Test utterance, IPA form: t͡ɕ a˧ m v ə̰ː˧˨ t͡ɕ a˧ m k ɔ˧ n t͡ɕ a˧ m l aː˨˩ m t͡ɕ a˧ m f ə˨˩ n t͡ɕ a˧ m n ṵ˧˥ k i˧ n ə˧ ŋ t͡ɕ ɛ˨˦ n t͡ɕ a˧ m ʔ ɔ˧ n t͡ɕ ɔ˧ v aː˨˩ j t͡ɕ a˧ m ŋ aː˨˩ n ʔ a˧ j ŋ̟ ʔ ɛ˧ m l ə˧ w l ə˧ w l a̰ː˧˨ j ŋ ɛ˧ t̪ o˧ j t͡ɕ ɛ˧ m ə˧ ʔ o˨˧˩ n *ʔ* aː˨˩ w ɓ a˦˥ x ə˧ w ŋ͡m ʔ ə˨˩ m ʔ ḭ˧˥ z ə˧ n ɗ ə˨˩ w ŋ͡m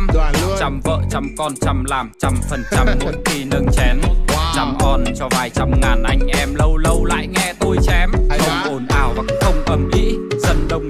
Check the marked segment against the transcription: correct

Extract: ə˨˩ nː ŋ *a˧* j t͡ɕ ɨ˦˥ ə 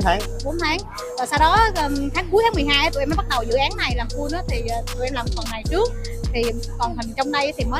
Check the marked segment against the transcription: incorrect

